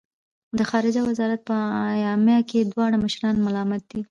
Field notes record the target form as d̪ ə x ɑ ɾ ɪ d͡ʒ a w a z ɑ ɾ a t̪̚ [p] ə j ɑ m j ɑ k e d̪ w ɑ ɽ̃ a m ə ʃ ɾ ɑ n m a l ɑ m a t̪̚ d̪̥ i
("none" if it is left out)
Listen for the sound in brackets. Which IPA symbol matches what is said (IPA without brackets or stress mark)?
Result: p